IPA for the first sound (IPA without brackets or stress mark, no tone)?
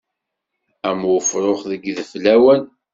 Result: æ